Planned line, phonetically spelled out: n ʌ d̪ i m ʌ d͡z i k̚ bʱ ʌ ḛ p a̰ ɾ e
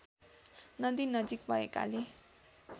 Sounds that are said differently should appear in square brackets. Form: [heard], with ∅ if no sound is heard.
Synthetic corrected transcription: n ʌ d̪ i [n] ʌ d͡z i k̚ bʱ ʌ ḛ [k] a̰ [l] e